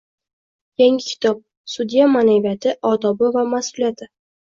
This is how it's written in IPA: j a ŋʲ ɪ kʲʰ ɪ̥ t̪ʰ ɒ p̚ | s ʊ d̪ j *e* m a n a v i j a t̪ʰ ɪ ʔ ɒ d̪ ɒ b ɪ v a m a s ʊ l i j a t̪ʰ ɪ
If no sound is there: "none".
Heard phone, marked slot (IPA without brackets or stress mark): a